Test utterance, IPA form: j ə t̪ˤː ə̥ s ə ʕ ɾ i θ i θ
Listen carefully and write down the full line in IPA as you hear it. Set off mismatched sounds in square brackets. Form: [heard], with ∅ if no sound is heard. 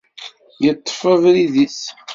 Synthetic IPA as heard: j ə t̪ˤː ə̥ [f] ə [v] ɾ i [ð] i [s]